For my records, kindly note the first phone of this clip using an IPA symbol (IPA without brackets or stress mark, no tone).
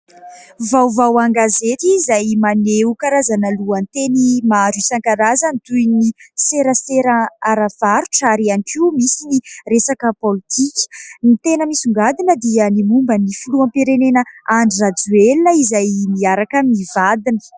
v